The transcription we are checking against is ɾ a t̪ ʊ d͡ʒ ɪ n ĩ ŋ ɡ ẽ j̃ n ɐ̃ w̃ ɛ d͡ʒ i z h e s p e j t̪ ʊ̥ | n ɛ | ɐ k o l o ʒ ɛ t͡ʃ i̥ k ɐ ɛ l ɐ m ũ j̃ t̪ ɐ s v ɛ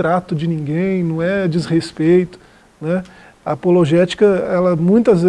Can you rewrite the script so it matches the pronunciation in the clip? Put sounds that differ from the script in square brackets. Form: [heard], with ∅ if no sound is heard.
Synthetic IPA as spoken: ɾ a t̪ ʊ d͡ʒ ɪ n ĩ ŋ ɡ ẽ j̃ n ɐ̃ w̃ ɛ d͡ʒ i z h e s p e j t̪ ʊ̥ | n ɛ | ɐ [p] o l o ʒ ɛ t͡ʃ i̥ k ɐ ɛ l ɐ m ũ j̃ t̪ ɐ [z] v [e]